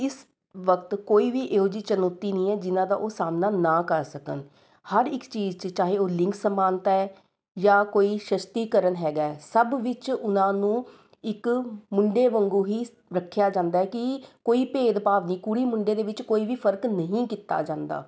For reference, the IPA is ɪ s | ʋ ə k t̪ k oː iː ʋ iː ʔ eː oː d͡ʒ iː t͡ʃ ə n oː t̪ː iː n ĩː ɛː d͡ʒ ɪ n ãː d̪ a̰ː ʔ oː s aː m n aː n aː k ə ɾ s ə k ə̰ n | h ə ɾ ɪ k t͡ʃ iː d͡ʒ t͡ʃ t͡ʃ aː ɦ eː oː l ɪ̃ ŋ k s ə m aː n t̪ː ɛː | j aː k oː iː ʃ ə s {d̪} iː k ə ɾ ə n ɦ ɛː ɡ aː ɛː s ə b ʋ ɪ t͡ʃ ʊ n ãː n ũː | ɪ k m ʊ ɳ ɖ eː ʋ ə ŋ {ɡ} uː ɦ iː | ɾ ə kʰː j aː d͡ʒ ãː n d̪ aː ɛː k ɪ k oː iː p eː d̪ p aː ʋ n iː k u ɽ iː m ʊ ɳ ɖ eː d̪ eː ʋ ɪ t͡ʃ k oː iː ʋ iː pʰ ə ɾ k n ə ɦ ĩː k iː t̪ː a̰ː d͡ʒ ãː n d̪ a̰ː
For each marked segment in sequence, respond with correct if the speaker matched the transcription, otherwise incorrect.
incorrect: t̪, correct

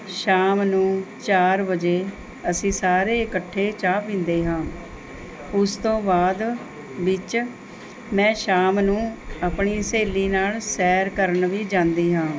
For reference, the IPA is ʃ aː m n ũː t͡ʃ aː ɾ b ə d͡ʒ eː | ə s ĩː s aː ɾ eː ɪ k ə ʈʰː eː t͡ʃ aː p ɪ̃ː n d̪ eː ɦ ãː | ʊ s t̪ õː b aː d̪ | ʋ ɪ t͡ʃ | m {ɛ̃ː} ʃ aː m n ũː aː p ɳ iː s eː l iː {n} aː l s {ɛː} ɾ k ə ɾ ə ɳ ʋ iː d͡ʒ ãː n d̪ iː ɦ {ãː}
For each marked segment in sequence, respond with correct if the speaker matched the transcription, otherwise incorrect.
correct, correct, correct, correct

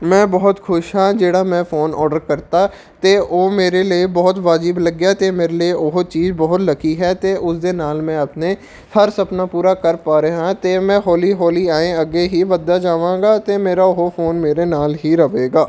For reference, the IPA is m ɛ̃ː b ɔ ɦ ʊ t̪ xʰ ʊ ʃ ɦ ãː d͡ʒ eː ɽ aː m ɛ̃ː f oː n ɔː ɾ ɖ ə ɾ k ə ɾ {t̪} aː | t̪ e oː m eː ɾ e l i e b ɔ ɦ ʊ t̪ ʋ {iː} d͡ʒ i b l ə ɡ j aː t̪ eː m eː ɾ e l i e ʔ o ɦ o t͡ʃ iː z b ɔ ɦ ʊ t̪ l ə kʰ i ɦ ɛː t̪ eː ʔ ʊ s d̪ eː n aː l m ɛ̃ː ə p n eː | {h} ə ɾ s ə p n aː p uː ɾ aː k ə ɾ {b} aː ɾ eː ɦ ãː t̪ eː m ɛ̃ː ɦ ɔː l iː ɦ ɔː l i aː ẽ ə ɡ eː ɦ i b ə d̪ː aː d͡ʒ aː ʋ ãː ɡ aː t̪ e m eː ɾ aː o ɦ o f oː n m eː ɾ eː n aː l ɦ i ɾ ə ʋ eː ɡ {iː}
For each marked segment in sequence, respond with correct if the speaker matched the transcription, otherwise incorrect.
correct, incorrect: aː, correct, incorrect: p, incorrect: aː

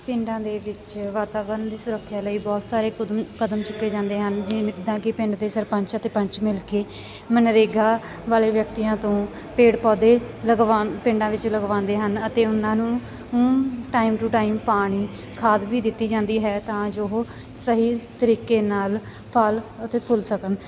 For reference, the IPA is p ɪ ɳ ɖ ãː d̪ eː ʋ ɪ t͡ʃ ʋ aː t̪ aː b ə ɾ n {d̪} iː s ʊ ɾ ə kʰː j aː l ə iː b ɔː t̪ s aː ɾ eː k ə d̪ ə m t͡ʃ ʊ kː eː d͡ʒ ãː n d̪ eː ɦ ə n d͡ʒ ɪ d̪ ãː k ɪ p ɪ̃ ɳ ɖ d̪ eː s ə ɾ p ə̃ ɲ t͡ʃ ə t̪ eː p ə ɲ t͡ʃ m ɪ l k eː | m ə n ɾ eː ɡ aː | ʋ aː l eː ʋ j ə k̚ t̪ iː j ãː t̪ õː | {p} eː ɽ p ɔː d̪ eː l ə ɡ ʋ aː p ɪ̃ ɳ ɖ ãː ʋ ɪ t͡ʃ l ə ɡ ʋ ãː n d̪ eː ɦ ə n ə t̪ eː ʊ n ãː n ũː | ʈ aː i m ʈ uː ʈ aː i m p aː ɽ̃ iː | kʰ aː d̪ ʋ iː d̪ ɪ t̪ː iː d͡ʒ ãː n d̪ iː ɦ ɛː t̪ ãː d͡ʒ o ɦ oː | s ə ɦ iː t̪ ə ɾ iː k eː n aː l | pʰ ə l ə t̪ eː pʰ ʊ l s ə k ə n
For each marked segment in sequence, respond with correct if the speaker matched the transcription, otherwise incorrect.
correct, correct

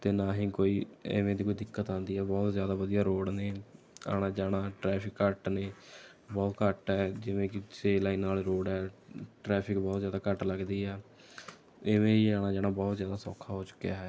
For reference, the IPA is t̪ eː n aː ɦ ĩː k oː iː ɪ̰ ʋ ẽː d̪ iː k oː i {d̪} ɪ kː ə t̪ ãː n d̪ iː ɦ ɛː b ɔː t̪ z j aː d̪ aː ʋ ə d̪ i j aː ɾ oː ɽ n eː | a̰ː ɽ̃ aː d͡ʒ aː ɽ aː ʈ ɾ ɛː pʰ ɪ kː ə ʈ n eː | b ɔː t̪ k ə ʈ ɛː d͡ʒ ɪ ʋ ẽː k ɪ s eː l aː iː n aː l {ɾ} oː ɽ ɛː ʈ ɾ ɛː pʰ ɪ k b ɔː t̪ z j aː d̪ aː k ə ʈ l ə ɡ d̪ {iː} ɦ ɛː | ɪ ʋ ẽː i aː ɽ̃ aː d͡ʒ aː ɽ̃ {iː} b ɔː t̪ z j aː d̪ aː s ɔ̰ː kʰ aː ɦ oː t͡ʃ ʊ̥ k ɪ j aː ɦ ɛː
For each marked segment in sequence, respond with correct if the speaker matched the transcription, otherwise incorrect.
correct, correct, correct, incorrect: aː

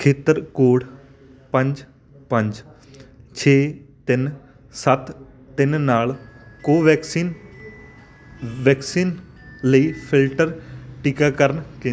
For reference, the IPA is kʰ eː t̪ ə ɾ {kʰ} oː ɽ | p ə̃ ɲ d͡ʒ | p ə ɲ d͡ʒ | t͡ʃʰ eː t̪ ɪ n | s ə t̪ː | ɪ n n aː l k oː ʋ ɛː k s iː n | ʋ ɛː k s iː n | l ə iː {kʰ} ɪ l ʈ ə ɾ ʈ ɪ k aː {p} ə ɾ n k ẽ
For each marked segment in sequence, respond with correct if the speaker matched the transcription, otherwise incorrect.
incorrect: k, incorrect: pʰ, incorrect: k

